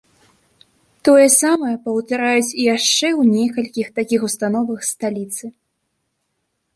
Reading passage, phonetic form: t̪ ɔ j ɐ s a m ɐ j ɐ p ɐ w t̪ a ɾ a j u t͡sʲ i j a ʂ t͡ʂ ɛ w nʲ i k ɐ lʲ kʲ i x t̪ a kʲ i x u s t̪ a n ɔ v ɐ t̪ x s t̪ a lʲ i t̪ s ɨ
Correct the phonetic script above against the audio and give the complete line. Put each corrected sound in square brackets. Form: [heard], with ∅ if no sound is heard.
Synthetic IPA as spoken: t̪ ɔ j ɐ s a m ɐ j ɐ p ɐ w t̪ a ɾ a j u t͡sʲ i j a ʂ t͡ʂ ɛ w nʲ [ɛ] k ɐ lʲ kʲ i x t̪ a kʲ i x u s t̪ a n ɔ v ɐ [∅] x s t̪ a lʲ i t̪ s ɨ